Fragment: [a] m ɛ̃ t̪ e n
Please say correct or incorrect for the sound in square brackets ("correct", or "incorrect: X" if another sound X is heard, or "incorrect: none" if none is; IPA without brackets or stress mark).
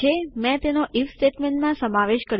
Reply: incorrect: e